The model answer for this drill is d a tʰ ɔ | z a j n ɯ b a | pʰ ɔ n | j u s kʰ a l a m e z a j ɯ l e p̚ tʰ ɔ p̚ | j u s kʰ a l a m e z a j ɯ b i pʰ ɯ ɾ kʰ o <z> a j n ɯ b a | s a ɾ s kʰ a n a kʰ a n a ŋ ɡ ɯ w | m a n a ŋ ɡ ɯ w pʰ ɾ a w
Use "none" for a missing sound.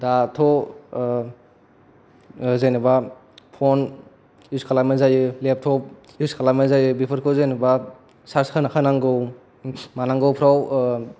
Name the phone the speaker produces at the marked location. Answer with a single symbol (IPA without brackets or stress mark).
z